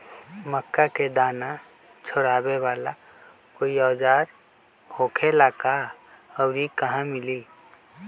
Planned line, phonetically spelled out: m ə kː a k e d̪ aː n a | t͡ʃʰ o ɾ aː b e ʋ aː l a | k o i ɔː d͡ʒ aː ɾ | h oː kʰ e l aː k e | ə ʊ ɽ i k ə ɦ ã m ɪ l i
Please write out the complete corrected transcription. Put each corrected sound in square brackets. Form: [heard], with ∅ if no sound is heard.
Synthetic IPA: m ə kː a k e d̪ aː n a | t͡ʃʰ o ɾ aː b e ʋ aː l a | k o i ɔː d͡ʒ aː ɾ | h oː kʰ e l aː k [a] | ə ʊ [ɾ] i k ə ɦ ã m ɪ l i